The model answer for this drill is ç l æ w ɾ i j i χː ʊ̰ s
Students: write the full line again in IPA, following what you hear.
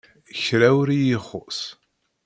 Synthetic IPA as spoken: ç ɾ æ w ɾ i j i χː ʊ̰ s